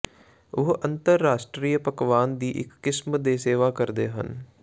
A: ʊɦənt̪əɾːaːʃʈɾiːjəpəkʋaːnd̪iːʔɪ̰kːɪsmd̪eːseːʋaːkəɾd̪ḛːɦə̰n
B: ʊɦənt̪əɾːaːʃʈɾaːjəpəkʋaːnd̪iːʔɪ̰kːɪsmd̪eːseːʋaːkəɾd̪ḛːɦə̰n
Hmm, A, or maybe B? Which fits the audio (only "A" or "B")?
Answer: A